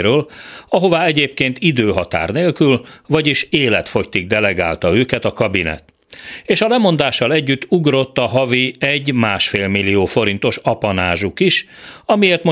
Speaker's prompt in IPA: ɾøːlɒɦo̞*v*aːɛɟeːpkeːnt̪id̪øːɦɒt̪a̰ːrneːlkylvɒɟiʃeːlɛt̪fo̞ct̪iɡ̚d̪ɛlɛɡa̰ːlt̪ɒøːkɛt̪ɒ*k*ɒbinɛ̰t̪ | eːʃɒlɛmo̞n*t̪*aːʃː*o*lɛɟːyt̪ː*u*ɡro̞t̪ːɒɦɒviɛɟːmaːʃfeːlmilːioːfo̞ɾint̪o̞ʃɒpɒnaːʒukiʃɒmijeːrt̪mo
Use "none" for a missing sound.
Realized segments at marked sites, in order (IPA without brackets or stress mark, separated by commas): v, k, d̪, ɒ, u